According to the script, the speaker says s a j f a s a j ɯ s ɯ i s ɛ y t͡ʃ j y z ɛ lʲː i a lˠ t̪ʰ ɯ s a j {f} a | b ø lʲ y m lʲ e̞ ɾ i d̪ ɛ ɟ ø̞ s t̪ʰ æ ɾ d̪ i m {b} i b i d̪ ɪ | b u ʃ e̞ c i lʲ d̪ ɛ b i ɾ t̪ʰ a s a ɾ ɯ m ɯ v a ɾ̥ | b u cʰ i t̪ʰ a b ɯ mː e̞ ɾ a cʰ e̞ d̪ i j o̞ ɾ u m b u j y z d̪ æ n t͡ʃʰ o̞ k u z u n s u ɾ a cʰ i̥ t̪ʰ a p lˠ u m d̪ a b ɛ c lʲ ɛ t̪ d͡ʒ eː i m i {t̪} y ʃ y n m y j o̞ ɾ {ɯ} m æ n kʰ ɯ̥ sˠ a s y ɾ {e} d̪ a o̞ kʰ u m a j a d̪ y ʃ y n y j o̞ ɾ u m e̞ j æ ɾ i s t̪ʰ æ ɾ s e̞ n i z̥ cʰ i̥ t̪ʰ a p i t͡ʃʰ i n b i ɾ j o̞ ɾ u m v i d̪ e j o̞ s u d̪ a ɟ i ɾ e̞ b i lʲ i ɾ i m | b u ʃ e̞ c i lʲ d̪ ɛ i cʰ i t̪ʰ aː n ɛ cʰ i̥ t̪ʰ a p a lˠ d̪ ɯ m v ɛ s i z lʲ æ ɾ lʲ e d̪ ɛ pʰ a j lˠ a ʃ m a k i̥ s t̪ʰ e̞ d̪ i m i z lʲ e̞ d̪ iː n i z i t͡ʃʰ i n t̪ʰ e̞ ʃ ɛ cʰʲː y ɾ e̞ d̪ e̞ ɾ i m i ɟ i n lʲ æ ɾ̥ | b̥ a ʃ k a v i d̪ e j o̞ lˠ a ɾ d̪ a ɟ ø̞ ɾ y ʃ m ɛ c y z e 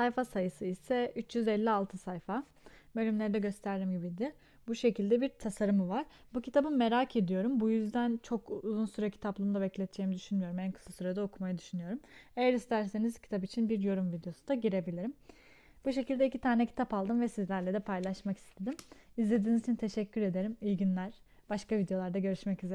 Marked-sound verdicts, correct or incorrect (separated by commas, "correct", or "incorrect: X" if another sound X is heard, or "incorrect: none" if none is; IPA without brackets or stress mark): correct, incorrect: ɟ, incorrect: d̪, incorrect: u, incorrect: a